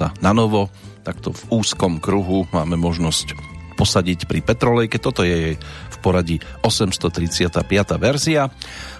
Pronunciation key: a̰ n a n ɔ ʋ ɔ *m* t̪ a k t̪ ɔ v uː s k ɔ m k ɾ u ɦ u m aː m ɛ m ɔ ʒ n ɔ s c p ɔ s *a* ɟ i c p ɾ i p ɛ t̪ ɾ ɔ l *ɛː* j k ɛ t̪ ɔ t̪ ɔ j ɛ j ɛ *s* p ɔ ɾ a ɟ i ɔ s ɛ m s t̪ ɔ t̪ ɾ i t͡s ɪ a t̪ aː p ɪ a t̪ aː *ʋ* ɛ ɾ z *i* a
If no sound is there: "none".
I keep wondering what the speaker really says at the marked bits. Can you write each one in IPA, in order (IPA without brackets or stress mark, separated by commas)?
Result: none, a, ɛ, f, ʋ, i